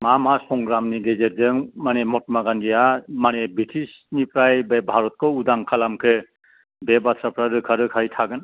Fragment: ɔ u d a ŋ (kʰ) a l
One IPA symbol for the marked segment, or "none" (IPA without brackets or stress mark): kʰ